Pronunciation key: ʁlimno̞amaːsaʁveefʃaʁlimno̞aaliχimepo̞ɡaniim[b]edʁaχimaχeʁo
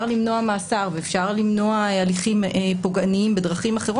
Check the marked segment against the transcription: correct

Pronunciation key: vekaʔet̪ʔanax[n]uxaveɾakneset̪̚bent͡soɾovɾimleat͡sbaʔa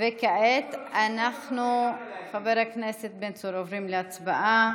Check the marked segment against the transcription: correct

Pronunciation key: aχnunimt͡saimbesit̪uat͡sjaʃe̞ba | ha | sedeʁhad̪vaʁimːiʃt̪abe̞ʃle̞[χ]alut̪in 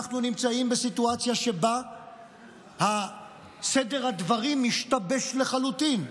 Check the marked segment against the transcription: correct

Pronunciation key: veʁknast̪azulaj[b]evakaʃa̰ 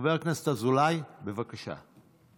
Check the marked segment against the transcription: correct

